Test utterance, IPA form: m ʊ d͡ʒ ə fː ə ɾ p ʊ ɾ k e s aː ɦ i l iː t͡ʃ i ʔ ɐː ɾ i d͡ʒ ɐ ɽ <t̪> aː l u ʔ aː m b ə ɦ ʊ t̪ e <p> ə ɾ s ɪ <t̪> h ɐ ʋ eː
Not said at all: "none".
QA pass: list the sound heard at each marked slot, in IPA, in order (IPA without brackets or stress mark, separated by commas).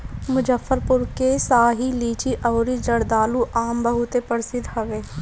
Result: d̪, p, d̪